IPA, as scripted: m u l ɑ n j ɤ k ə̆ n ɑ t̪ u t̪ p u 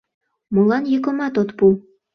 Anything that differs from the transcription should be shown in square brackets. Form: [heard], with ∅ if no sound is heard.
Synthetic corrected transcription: m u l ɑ n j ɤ k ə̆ [m] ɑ t̪ [o] t̪ p u